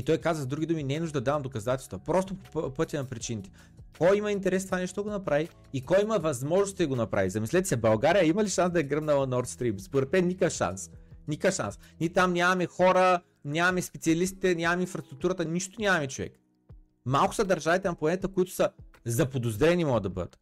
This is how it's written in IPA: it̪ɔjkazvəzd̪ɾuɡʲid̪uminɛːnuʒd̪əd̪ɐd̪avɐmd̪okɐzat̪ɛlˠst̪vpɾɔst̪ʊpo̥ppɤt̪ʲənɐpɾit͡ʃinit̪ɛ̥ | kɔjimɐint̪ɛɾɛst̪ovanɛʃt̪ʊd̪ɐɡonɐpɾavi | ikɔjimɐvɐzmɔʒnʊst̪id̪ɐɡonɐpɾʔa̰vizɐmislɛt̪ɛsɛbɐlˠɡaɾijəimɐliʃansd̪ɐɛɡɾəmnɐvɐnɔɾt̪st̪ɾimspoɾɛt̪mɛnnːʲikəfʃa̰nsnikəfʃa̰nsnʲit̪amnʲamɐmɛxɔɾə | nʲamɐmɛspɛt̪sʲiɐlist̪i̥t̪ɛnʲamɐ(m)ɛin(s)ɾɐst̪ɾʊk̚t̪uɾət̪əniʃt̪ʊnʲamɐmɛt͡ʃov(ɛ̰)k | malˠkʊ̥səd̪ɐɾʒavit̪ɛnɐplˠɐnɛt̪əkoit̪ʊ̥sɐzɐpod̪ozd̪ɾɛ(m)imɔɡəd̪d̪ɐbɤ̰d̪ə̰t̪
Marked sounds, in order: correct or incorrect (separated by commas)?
correct, incorrect, correct, incorrect